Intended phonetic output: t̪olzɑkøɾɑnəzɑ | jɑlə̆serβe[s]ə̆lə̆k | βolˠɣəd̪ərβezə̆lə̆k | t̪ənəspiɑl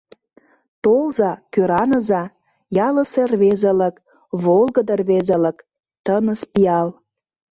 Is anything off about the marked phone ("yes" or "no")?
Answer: yes